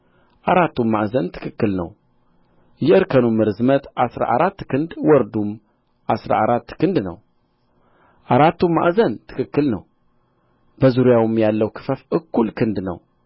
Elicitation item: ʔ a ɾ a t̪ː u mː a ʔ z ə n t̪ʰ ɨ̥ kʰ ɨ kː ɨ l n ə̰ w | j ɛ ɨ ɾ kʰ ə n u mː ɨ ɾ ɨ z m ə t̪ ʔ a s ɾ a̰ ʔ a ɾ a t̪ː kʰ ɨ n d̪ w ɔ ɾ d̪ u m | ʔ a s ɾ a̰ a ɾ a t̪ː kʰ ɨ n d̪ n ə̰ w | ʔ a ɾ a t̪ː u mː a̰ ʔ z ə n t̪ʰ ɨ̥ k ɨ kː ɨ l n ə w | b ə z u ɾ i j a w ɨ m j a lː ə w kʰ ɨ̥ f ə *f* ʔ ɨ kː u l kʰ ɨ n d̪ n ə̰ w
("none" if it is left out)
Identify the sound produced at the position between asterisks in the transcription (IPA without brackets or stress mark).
f